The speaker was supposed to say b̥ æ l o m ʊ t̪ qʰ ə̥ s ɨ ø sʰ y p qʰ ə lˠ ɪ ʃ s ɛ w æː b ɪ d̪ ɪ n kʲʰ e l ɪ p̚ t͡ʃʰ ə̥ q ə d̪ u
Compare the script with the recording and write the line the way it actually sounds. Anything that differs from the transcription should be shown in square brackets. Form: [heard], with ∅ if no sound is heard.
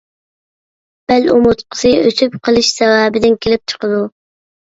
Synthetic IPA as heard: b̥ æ l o m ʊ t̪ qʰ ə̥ s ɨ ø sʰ y p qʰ ə lˠ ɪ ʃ s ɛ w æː b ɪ d̪ ɪ n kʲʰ e l ɪ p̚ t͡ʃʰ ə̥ q ə d̪ u